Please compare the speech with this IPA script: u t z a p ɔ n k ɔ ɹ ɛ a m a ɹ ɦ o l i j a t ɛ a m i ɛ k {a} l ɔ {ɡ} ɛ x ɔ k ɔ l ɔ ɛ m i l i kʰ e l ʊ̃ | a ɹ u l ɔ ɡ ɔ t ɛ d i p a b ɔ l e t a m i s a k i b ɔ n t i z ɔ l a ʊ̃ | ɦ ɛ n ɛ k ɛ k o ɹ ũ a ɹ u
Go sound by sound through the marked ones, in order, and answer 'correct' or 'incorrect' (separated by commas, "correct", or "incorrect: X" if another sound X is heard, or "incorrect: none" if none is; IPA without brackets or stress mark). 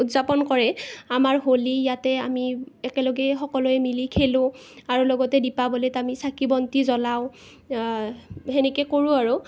incorrect: ɛ, correct